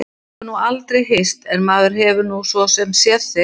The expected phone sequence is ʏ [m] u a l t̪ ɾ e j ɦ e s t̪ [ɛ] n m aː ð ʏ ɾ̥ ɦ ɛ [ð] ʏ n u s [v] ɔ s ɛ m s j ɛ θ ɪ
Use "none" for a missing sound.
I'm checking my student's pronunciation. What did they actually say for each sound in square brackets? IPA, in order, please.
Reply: n, ɛ, v, v

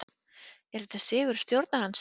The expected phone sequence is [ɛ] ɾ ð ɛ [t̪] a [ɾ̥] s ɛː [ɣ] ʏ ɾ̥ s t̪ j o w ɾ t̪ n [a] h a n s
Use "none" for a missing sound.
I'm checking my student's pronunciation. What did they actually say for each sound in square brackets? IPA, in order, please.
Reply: ɛ, t̪, none, ɣ, a

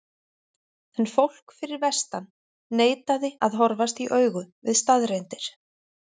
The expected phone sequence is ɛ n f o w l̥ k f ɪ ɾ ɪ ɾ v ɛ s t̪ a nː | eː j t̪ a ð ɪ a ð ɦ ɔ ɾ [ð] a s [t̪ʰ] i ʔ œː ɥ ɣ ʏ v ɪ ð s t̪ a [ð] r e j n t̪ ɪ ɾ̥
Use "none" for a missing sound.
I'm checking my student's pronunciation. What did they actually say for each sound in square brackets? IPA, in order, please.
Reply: v, t̪, ð

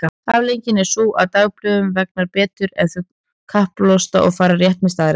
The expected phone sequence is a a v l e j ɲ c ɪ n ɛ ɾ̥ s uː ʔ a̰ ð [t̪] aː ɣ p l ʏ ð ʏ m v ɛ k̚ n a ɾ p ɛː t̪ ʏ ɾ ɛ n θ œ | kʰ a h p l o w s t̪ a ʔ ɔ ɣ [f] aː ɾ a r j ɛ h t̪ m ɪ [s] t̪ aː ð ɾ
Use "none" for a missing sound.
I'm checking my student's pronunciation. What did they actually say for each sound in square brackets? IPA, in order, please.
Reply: t̪, f, s

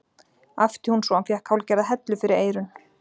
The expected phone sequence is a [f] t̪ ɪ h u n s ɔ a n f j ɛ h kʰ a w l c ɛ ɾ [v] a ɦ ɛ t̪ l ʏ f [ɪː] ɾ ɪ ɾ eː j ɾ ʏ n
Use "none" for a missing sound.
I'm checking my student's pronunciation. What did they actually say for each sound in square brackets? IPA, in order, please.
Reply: f, ð, ɪ

